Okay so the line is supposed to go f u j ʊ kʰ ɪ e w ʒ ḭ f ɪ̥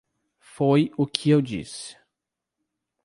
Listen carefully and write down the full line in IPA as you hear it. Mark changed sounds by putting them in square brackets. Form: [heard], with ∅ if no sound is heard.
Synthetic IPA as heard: f [o] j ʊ kʰ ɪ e w [d͡ʒ] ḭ [s] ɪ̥